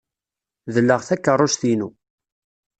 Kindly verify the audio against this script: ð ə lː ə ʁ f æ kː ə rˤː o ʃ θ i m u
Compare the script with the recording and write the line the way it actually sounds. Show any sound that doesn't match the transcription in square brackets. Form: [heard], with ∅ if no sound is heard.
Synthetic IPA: ð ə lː ə ʁ [θ] æ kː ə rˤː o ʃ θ i [n] u